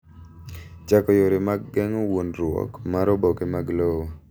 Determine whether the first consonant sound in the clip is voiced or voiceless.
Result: voiceless